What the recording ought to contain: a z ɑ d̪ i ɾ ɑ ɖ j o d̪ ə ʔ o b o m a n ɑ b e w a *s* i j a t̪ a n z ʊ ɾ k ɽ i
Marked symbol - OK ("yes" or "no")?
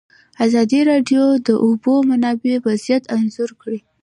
no